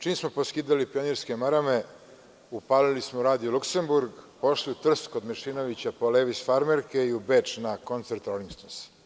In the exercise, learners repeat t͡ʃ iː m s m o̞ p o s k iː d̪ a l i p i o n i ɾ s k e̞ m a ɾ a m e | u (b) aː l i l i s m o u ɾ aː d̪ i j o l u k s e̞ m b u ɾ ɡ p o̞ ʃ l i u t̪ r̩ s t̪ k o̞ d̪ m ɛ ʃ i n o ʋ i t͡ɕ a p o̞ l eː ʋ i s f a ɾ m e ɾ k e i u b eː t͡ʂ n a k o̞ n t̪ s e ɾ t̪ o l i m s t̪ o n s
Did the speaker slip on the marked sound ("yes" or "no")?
yes